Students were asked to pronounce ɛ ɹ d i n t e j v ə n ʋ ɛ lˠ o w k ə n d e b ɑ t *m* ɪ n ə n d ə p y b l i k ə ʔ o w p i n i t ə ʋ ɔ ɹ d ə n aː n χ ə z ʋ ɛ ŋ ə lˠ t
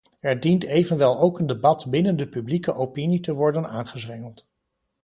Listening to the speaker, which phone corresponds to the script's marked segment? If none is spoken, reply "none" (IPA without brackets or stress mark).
b